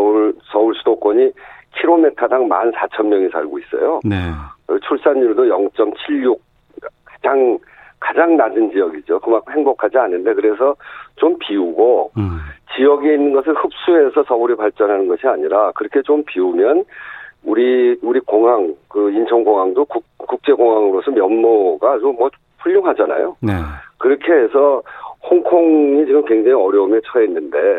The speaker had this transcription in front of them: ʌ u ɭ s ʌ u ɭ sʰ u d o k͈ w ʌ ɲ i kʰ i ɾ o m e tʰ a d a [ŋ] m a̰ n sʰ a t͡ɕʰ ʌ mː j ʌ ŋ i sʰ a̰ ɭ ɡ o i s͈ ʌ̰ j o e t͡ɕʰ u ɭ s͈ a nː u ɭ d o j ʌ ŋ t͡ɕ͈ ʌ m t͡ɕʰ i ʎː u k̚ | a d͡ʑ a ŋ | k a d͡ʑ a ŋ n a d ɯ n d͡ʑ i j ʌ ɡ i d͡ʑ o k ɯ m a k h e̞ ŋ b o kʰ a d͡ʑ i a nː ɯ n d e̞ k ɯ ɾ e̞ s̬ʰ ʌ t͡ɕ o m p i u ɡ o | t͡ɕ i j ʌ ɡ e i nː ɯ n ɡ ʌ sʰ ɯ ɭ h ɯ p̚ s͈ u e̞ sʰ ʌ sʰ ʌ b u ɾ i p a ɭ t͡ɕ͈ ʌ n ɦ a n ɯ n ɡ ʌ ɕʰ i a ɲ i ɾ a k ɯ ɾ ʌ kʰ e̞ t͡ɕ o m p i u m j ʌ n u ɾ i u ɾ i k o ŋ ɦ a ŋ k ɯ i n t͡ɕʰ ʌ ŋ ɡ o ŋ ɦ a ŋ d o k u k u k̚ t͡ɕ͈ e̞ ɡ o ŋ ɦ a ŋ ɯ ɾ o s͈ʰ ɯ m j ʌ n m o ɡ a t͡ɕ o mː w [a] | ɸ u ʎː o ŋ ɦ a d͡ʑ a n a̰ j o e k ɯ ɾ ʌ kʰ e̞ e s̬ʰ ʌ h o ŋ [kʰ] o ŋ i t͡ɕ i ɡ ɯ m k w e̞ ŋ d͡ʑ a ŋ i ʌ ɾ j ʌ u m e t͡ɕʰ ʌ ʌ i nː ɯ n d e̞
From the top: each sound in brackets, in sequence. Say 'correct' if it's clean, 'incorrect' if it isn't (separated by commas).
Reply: correct, incorrect, correct